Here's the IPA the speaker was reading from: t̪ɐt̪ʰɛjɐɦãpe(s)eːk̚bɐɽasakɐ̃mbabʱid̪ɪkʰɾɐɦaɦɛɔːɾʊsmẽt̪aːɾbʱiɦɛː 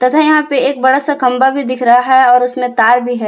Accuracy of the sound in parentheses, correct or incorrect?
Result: incorrect